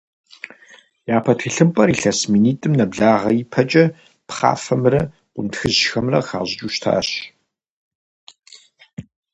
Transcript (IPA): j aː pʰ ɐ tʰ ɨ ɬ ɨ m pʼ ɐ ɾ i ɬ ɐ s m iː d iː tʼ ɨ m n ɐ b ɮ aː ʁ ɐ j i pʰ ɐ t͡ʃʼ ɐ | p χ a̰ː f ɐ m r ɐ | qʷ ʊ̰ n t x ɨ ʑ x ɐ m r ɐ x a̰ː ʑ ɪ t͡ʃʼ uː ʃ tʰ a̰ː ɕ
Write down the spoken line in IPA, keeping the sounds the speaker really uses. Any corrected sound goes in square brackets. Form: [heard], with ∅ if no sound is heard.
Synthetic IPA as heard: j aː pʰ ɐ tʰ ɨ ɬ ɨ m pʼ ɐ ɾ i ɬ ɐ s m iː [n] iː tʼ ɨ m n ɐ b ɮ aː ʁ ɐ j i pʰ ɐ t͡ʃʼ ɐ | p χ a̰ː f ɐ m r ɐ | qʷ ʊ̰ n t x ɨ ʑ x ɐ m r ɐ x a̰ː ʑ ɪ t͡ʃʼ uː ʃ tʰ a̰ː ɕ